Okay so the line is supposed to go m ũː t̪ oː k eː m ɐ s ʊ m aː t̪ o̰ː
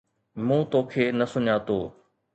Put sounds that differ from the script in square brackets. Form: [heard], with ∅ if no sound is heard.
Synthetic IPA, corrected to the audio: m ũː t̪ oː [kʰ] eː [n] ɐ s ʊ [ɲ] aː t̪ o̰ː